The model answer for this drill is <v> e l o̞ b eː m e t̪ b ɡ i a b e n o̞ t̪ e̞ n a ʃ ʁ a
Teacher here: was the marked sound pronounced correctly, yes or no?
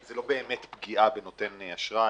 no